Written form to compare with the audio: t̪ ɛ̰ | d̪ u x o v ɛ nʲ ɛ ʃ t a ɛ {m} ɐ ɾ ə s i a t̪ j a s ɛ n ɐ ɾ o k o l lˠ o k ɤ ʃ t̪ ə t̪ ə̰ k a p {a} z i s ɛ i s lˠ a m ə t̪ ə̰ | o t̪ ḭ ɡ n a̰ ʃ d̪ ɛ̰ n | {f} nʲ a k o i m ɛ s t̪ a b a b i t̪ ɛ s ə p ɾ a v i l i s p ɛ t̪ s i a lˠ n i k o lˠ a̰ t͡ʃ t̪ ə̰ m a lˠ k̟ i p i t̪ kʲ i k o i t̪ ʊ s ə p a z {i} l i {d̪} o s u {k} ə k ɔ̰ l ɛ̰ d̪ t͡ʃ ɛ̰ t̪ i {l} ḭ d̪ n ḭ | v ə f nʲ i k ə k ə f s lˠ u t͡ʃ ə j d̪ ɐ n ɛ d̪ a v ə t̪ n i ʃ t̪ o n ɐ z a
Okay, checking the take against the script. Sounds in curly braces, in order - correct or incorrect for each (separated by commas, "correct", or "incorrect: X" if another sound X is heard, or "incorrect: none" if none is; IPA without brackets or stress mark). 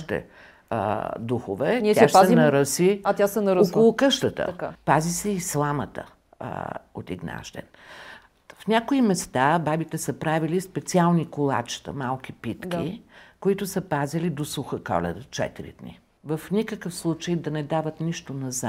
incorrect: n, correct, correct, correct, correct, incorrect: x, incorrect: ɾ